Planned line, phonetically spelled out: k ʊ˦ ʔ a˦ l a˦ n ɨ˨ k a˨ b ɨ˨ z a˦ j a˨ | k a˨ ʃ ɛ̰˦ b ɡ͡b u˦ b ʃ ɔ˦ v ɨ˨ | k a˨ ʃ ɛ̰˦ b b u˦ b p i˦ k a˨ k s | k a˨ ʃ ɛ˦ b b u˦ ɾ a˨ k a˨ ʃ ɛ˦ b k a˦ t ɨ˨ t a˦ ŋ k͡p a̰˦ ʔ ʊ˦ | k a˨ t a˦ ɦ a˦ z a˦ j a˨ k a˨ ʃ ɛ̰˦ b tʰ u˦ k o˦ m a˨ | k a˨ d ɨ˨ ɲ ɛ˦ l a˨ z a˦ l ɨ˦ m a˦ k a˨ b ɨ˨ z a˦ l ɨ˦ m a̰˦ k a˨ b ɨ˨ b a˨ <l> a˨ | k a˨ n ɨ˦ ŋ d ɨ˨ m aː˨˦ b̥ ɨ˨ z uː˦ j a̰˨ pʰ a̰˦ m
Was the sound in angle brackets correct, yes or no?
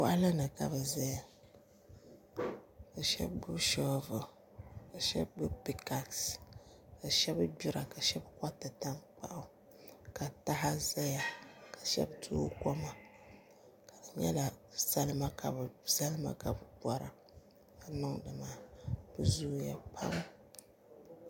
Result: no